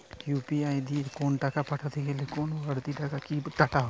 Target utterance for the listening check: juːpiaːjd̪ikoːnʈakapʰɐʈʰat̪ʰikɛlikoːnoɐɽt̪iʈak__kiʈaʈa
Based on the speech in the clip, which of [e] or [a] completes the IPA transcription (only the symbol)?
a